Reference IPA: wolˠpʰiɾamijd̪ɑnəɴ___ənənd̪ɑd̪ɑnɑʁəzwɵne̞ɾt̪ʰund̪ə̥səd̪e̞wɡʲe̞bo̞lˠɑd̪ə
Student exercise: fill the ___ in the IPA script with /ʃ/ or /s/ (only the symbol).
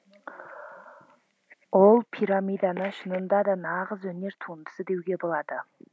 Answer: ʃ